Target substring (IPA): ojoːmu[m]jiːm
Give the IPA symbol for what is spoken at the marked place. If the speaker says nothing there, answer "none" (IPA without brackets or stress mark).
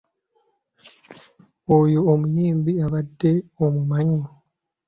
none